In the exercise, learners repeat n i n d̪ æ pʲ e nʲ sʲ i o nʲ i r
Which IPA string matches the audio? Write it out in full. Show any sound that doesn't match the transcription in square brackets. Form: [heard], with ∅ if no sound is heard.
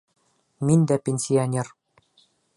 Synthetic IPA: [m] i n d̪ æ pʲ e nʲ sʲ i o nʲ [e] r